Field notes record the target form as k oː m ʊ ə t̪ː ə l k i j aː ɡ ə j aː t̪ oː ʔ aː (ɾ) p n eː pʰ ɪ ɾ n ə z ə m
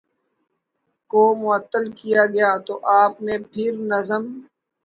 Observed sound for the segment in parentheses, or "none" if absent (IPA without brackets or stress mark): none